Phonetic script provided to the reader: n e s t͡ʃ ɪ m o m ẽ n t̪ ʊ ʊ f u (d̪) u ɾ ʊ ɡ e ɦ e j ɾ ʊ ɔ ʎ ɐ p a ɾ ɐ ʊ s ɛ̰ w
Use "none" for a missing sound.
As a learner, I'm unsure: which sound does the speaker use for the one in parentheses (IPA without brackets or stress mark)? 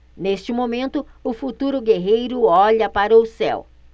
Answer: t̪